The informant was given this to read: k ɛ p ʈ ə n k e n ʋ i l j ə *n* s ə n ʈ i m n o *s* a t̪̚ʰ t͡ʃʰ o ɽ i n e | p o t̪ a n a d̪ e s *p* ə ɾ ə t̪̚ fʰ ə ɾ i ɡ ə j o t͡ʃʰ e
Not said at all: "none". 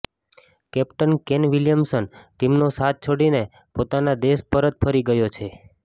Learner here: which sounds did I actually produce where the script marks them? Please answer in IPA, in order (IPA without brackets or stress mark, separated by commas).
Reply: m, s, p